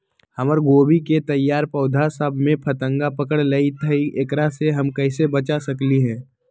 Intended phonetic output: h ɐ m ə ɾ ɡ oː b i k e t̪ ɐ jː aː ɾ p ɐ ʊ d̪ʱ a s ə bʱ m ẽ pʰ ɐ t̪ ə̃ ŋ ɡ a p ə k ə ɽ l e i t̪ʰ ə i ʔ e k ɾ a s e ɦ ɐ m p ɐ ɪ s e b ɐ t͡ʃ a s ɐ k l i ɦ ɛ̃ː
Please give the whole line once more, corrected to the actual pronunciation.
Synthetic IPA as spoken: h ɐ m ə ɾ ɡ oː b i k e t̪ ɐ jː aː ɾ p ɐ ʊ d̪ʱ a s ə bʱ m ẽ pʰ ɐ t̪ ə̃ ŋ ɡ a p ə k ə ɽ l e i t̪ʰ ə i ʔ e k ɾ a s e ɦ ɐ m k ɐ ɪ s e b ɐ t͡ʃ a s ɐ k l i ɦ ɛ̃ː